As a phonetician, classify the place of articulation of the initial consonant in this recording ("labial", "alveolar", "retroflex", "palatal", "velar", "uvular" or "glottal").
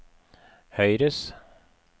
glottal